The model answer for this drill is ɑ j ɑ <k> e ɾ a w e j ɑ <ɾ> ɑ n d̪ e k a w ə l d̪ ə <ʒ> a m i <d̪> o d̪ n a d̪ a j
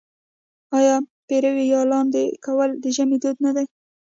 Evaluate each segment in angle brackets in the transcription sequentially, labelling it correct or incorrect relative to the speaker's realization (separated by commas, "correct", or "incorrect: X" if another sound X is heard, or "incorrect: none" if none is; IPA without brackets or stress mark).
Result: incorrect: p, incorrect: l, correct, correct